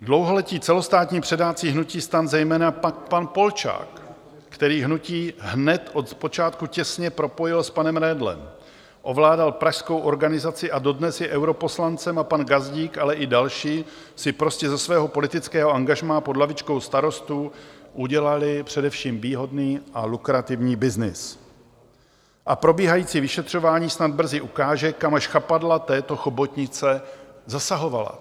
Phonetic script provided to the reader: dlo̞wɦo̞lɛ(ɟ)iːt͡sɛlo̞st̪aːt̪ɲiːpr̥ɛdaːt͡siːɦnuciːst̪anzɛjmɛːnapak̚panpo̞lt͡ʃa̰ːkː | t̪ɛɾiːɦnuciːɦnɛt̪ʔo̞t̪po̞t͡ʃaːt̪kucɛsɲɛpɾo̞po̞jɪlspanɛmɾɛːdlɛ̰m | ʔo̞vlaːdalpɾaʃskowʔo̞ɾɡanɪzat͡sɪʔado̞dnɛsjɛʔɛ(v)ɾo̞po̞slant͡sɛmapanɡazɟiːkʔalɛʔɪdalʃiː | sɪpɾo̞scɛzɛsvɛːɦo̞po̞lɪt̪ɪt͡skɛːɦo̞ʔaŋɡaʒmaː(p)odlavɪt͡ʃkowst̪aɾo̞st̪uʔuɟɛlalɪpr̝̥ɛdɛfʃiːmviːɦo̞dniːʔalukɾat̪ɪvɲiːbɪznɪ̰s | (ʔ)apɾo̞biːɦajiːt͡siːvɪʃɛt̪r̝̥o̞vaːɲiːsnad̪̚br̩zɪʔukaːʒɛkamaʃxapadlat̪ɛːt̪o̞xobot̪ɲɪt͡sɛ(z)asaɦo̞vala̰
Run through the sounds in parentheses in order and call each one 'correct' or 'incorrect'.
incorrect, incorrect, correct, correct, correct

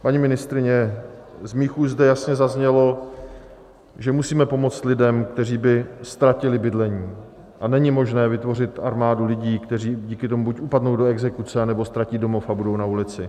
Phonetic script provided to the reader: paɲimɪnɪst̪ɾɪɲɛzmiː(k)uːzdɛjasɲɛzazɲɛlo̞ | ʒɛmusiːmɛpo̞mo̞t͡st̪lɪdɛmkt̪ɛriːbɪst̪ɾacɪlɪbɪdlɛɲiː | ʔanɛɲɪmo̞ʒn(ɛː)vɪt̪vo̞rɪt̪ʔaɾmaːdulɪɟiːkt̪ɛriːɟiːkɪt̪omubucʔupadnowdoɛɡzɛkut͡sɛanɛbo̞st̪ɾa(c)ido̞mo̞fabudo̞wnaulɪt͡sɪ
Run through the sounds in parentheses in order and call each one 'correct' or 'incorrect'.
incorrect, correct, correct

